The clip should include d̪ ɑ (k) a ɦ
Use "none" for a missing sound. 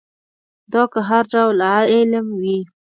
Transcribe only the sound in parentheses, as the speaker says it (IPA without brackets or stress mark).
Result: k